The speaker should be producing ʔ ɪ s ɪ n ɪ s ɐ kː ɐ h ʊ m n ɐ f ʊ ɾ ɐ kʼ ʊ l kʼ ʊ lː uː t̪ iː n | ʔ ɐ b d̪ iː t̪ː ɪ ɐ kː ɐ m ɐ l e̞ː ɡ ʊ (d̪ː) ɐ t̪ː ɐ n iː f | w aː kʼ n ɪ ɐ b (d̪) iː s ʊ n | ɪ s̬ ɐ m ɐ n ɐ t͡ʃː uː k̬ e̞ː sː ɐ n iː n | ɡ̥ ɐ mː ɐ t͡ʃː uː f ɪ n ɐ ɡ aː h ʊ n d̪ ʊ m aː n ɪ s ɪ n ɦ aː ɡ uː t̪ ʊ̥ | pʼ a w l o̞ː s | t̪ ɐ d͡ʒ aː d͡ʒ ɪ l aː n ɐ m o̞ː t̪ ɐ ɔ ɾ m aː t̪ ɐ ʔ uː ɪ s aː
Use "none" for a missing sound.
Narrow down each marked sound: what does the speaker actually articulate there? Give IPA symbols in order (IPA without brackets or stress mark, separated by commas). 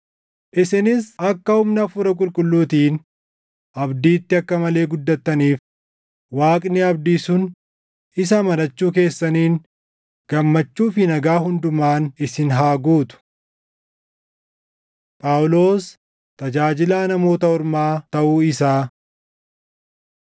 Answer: d̪ː, d̪